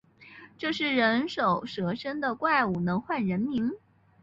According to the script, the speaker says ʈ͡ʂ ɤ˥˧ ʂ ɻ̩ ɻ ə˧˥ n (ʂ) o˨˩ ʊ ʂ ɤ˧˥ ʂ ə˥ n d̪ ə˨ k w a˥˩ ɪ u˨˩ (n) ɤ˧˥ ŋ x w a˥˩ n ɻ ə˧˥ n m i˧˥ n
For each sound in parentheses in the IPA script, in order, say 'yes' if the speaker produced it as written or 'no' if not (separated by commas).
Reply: yes, yes